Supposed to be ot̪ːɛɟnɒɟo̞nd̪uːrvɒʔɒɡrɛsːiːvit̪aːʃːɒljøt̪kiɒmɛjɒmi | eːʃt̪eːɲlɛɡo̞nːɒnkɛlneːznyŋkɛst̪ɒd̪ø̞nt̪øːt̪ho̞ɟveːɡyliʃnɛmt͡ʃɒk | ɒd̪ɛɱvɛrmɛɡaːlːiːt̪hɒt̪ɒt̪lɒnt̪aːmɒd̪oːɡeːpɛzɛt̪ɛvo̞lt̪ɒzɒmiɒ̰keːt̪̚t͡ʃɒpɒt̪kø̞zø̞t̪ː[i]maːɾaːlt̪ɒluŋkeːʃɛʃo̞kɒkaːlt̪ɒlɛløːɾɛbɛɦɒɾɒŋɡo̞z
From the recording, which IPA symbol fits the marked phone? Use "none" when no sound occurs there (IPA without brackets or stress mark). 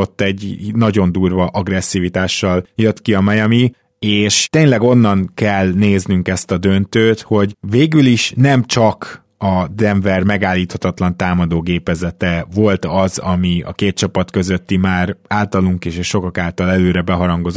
i